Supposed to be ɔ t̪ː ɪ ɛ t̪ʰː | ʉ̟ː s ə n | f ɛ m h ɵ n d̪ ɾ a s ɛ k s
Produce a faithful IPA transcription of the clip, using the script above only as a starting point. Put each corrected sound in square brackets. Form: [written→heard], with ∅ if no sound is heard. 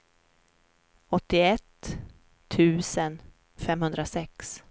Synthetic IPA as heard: ɔ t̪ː ɪ ɛ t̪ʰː | ʉ̟ː s ə n | f ɛ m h ɵ n d̪ ɾ a s ɛ k s